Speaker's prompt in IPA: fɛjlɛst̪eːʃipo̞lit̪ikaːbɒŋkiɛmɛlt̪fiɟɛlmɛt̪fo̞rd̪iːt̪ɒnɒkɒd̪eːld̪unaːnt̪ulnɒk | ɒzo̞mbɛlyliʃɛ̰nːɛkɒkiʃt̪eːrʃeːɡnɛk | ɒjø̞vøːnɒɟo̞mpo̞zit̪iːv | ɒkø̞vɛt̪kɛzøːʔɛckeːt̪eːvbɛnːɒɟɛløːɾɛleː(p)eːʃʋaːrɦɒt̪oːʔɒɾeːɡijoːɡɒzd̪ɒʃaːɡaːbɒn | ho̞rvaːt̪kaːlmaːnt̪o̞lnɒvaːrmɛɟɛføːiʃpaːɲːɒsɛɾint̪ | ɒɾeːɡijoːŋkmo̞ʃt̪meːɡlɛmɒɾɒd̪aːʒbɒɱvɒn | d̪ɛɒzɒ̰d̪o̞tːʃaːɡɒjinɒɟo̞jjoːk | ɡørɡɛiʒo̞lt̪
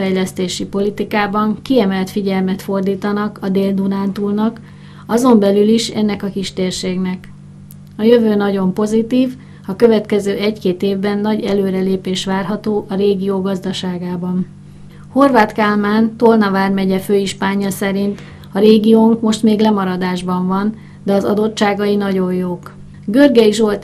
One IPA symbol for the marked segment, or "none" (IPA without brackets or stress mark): p